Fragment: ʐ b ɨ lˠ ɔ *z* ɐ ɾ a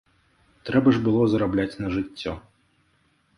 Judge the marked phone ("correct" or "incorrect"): correct